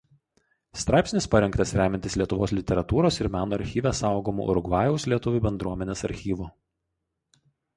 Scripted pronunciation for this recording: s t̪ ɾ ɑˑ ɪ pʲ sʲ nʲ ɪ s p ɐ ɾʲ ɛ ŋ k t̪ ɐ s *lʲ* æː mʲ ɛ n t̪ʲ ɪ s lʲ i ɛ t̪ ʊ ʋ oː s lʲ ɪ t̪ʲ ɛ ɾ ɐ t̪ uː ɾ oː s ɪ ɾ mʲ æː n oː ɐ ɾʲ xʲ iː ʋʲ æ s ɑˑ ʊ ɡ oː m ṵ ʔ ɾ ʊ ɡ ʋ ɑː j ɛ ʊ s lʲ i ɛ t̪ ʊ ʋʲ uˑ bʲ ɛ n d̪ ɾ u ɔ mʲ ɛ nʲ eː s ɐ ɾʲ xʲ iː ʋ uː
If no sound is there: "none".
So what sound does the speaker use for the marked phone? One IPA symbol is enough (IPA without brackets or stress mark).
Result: ɾʲ